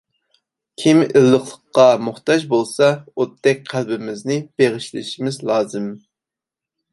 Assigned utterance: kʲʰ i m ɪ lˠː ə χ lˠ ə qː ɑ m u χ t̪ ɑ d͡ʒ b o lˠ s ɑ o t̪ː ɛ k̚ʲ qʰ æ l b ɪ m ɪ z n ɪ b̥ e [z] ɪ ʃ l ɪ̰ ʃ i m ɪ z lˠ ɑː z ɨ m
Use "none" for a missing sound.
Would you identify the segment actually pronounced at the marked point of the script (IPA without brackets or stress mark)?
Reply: ʁ